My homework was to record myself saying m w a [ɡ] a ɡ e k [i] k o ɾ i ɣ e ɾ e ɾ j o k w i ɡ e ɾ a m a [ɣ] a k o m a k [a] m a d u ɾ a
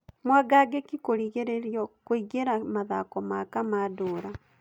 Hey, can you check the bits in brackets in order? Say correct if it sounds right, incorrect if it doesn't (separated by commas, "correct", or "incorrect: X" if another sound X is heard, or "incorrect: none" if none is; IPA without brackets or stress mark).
correct, correct, incorrect: ð, correct